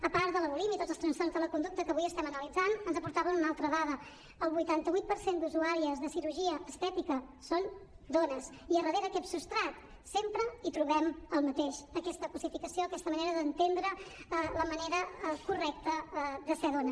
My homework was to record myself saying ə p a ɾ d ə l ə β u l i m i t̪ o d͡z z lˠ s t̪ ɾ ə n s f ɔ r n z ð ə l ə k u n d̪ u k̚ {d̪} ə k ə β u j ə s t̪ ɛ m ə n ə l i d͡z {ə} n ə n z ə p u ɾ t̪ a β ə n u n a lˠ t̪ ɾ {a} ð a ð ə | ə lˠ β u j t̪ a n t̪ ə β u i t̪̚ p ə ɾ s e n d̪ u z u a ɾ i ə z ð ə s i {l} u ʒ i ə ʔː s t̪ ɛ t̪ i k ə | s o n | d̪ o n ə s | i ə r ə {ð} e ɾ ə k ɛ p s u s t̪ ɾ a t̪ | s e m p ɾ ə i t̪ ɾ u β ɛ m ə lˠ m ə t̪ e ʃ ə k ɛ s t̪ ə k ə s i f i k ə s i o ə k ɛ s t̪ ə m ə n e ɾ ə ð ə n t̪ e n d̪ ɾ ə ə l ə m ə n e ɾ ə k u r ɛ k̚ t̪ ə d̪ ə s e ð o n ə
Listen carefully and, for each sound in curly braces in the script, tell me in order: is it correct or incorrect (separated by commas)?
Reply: incorrect, incorrect, incorrect, incorrect, correct